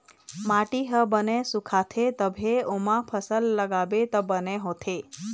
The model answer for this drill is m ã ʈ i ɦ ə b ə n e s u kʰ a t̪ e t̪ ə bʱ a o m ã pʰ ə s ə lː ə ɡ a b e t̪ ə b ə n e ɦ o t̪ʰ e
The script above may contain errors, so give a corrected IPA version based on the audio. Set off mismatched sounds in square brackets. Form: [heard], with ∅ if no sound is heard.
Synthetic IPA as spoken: m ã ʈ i ɦ ə b ə n e s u kʰ a [t̪ʰ] e t̪ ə bʱ [e] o m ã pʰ ə s ə lː ə ɡ a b e t̪ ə b ə n e ɦ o t̪ʰ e